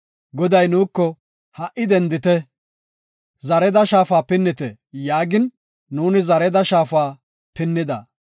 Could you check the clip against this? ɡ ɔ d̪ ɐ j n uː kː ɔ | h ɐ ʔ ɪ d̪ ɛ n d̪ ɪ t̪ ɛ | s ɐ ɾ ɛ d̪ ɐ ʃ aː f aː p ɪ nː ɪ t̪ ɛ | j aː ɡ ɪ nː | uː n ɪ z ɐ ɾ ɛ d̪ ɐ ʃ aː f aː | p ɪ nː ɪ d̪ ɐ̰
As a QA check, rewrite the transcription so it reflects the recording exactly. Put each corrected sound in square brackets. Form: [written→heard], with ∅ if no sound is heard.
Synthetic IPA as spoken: ɡ ɔ d̪ ɐ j n uː kː ɔ | h ɐ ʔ ɪ d̪ ɛ n d̪ ɪ t̪ ɛ | [s→z] ɐ ɾ ɛ d̪ ɐ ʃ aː f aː p ɪ nː ɪ t̪ ɛ | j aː ɡ ɪ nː | uː n ɪ z ɐ ɾ ɛ d̪ ɐ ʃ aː f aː | p ɪ nː ɪ d̪ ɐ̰